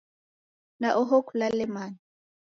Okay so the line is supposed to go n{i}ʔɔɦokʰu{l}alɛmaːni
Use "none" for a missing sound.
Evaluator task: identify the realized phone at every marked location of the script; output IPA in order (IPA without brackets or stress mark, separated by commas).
a, l